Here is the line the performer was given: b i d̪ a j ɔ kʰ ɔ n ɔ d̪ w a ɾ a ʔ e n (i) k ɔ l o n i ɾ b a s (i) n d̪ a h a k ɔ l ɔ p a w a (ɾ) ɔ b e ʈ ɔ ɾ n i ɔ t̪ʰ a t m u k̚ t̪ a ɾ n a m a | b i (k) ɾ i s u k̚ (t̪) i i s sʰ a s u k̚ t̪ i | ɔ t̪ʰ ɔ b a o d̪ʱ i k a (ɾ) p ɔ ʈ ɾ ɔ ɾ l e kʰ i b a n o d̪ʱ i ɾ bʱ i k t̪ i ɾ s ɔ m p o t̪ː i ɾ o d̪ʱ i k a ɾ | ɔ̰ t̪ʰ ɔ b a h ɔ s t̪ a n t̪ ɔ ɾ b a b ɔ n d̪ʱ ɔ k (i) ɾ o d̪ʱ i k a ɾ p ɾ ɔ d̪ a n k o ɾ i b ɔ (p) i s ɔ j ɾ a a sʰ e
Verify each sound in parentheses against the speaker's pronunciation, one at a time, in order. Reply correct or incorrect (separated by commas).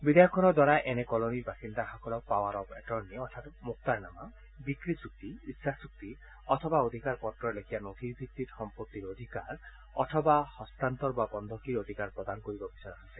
incorrect, correct, correct, correct, correct, correct, correct, incorrect